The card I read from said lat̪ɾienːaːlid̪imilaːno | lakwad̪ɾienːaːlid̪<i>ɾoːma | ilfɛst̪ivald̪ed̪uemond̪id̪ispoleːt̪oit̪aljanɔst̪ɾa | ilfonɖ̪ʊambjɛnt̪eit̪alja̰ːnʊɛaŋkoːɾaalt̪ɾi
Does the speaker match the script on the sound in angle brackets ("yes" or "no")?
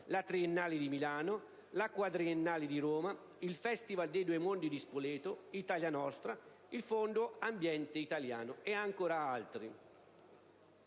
yes